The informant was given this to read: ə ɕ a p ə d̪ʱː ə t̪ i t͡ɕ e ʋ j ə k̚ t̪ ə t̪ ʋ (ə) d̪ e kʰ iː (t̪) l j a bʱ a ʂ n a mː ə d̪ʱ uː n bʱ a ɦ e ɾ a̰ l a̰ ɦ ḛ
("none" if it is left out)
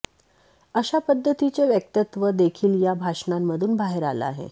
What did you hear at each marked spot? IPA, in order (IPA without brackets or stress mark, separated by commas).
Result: ə, none